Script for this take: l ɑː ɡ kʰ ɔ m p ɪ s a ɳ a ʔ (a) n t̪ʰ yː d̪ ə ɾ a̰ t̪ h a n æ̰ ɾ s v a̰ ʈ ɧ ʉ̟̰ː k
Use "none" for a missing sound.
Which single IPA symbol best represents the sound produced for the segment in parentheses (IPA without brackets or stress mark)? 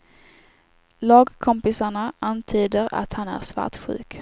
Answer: a